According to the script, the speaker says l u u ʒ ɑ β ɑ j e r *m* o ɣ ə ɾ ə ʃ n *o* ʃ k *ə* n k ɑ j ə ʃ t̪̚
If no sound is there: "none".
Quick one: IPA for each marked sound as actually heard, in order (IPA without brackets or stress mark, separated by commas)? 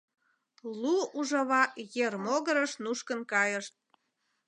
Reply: m, u, ə